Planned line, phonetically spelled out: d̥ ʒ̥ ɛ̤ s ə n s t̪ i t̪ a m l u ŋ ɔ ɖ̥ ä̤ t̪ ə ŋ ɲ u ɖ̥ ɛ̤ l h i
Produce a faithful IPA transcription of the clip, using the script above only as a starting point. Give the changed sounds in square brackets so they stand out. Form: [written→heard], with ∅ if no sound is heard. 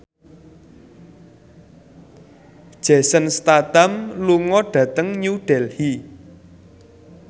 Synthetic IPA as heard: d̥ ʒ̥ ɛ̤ s ə n s t̪ [i→a] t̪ a m l u ŋ ɔ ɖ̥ ä̤ t̪ ə ŋ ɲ u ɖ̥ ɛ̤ l h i